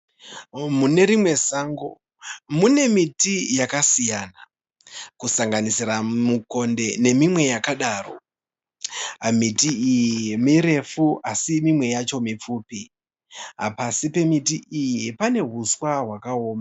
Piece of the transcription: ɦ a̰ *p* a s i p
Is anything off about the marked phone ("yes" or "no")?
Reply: no